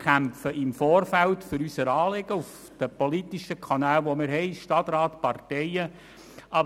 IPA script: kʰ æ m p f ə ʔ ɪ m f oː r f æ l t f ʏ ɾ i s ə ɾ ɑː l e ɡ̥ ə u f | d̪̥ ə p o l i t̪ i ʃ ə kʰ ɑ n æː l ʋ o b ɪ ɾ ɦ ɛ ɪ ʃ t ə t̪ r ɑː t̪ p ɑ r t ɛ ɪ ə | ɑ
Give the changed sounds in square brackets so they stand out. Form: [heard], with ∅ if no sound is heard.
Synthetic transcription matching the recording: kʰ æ m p f ə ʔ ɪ m f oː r f æ l t f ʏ ɾ [y] s ə ɾ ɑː l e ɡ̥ ə u f | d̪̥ ə p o l i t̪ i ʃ ə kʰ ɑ n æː l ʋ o [m] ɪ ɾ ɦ ɛ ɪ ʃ t [ɑ] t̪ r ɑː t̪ p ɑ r t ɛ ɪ ə | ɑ